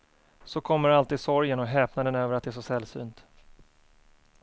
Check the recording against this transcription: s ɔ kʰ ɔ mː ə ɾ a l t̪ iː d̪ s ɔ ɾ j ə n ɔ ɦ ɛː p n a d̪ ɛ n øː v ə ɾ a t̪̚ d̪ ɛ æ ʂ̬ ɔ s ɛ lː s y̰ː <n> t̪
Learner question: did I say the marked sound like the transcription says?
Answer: yes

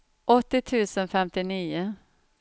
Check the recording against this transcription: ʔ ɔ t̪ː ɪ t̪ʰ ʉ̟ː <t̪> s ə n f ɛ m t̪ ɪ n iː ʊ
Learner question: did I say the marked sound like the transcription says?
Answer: no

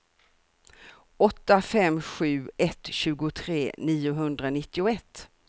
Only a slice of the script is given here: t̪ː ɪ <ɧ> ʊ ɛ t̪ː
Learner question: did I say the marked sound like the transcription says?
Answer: no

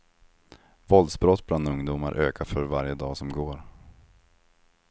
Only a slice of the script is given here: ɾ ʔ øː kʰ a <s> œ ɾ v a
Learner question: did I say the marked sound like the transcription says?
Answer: no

